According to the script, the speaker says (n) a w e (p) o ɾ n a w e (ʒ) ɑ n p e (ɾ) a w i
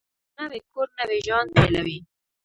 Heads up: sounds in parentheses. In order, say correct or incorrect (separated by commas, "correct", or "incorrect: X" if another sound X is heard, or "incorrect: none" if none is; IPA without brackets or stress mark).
correct, incorrect: k, correct, incorrect: l